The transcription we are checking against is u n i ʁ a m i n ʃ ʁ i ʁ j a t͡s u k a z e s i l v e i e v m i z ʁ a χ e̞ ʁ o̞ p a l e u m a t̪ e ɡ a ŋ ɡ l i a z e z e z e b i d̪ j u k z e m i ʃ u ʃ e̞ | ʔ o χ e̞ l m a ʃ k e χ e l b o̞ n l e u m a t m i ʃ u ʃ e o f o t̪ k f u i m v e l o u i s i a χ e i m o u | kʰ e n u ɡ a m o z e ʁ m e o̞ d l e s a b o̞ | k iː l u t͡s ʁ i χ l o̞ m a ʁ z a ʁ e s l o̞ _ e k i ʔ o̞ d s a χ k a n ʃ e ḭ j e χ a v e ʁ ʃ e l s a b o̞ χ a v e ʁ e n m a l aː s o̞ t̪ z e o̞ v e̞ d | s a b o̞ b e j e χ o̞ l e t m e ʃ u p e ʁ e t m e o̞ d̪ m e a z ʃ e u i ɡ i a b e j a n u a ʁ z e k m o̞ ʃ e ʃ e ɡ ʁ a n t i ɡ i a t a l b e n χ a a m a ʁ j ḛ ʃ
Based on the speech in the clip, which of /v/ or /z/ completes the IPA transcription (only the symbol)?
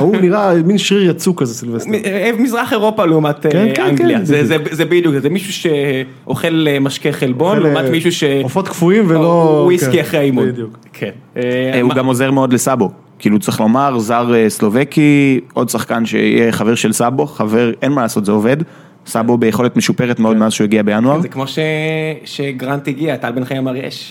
v